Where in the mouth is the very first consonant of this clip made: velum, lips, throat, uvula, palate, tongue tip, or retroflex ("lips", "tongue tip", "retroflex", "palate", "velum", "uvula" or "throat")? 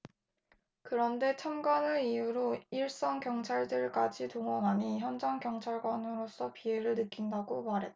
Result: velum